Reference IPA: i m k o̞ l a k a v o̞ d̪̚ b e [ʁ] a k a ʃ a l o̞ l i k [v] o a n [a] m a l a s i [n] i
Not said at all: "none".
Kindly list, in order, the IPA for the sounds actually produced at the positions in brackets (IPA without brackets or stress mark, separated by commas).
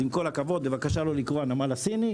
v, ʁ, a, n